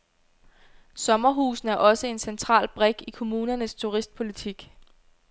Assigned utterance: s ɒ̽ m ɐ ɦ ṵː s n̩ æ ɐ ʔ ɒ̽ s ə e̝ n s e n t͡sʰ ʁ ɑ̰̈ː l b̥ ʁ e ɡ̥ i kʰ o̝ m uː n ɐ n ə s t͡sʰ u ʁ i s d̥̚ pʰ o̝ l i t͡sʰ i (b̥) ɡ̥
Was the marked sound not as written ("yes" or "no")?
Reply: yes